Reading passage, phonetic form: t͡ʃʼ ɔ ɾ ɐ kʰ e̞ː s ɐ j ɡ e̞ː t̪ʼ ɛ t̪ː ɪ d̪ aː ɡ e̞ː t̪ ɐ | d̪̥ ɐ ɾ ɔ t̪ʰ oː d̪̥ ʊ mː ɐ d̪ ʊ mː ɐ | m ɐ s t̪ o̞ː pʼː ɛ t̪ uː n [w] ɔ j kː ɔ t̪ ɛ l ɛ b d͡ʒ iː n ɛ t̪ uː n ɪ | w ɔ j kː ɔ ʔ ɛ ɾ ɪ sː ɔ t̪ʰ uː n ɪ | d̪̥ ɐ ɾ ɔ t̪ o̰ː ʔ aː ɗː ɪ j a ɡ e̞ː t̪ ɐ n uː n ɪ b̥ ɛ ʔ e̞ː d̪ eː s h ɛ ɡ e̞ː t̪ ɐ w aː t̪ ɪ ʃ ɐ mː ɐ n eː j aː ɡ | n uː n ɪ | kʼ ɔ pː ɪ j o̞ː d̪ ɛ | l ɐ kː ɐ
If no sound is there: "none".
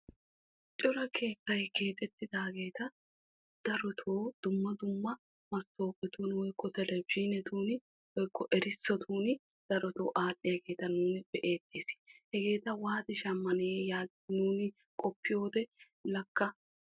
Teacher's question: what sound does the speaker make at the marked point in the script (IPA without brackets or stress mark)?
w